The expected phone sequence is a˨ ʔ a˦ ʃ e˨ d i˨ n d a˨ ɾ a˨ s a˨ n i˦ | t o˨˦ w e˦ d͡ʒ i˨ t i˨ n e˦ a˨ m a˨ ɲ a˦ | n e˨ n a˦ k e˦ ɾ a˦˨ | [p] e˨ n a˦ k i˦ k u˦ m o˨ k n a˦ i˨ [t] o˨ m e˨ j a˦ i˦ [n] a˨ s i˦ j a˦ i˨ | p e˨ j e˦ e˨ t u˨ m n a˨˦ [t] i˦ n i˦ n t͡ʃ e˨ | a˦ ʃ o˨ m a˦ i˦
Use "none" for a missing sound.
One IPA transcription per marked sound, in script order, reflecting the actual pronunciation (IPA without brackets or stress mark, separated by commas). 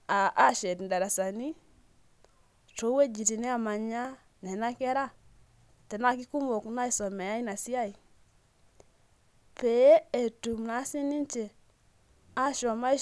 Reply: t, s, n, s